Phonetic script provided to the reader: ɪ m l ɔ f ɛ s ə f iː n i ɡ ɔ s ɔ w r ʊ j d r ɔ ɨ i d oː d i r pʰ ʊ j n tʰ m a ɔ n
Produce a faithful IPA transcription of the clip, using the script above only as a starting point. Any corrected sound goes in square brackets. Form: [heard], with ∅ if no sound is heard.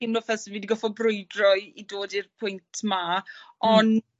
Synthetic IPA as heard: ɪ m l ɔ f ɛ s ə [v] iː [d] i ɡ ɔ [f] ɔ [b] r ʊ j d r ɔ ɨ i d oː d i r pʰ ʊ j n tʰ m a ɔ n